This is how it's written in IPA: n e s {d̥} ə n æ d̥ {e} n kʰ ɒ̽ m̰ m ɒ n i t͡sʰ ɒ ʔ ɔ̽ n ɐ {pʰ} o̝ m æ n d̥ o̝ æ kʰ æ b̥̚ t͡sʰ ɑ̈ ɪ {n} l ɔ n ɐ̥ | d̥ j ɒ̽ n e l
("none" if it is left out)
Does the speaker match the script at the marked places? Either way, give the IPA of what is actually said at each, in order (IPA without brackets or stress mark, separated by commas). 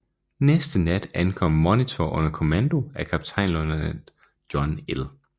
d̥, æ, kʰ, n